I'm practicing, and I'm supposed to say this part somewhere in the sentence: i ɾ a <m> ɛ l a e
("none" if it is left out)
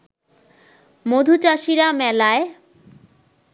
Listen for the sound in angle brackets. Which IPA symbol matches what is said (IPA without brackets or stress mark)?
m